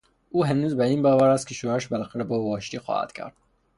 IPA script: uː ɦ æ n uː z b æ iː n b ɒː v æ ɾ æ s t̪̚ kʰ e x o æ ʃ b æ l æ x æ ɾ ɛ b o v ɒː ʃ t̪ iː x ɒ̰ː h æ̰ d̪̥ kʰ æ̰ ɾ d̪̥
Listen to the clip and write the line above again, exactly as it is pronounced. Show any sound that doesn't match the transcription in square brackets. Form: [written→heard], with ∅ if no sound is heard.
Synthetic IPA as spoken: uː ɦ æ n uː z b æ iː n b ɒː v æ ɾ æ s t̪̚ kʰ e [x→ʃ] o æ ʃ b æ l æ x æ ɾ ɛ b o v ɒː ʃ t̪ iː x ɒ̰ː h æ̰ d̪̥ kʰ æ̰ ɾ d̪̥